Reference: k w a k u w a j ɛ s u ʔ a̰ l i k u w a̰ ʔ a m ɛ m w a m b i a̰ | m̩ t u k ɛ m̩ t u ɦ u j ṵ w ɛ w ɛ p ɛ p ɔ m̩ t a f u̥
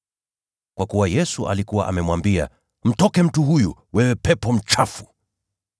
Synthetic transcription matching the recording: k w a k u w a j ɛ s u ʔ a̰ l i k u w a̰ ʔ a m ɛ m w a m b i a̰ | m̩ t ɔ k ɛ m̩ t u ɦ u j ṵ w ɛ w ɛ p ɛ p ɔ m̩ t͡ʃ a f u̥